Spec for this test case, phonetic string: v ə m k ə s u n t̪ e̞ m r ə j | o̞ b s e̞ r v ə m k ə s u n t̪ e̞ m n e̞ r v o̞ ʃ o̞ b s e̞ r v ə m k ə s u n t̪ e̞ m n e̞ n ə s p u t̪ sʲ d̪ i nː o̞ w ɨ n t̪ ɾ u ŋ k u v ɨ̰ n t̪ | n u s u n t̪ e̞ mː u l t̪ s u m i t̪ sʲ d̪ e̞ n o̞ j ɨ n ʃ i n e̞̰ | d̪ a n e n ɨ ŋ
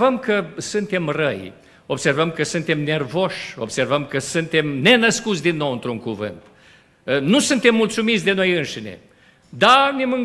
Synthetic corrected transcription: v ə m k ə s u n t̪ e̞ m r ə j | o̞ b s e̞ r v ə m k ə s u n t̪ e̞ m n e̞ r v o̞ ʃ o̞ b s e̞ r v ə m k ə s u n t̪ e̞ m n e̞ n ə s k u t̪ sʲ d̪ i nː o̞ w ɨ n t̪ ɾ u ŋ k u v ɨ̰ n t̪ | n u s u n t̪ e̞ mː u l t̪ s u m i t̪ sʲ d̪ e̞ n o̞ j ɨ n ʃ i n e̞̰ | d̪ a n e m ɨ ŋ